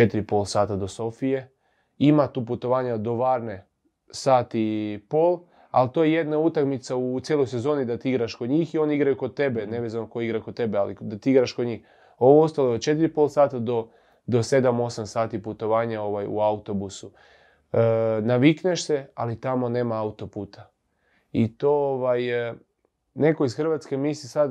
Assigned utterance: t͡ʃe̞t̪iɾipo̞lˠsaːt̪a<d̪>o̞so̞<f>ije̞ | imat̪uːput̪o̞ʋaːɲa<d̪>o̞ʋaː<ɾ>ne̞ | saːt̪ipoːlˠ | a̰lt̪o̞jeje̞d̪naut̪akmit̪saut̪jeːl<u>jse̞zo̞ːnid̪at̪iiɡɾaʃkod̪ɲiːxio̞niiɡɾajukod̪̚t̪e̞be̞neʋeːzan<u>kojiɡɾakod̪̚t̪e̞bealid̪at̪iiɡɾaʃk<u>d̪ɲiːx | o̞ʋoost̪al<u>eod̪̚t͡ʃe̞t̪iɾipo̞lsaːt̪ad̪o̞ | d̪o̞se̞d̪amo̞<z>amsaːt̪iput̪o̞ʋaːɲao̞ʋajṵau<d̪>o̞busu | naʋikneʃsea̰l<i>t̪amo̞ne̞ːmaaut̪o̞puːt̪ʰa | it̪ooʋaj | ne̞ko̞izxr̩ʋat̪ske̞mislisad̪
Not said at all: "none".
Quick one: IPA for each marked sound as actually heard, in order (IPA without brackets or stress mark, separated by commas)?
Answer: d̪, f, d̪, ɾ, o, o, o, o, s, t̪, i